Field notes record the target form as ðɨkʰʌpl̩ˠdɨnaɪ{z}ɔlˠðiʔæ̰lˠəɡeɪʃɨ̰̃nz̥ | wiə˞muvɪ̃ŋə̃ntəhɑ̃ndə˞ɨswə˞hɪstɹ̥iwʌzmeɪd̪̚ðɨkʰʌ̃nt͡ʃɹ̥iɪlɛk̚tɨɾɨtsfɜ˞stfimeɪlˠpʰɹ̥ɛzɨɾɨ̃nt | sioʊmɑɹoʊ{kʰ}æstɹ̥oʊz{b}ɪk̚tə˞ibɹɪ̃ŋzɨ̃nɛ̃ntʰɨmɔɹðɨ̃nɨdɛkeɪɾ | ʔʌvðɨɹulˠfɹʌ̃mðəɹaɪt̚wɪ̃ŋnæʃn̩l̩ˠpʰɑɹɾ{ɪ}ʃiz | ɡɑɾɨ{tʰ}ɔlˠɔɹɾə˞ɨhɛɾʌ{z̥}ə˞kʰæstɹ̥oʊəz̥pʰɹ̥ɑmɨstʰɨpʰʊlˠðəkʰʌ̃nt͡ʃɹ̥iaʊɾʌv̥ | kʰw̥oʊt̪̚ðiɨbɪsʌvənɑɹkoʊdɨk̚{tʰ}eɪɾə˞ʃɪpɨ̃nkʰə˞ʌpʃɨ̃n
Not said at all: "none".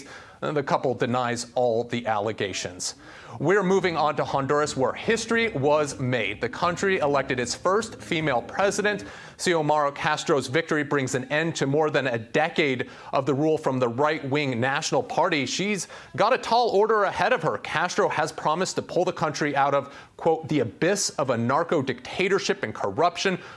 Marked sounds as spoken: z, kʰ, v, i, tʰ, v̥, tʰ

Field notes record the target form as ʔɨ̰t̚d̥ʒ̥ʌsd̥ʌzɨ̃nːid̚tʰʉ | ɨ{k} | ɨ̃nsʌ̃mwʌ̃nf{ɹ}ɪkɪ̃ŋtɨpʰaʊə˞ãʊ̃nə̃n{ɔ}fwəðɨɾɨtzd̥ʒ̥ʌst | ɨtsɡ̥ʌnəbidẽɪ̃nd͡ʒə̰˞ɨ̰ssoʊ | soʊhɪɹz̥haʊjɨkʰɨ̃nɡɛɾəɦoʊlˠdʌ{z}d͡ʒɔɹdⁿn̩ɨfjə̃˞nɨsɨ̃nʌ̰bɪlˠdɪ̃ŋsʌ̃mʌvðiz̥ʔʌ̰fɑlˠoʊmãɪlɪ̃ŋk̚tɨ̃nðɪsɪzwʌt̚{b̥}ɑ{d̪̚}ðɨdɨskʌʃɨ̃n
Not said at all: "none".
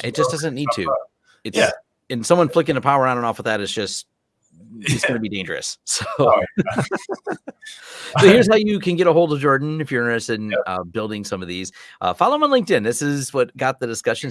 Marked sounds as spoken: t, l, ɔ, v, ɡ̥, t̪̚

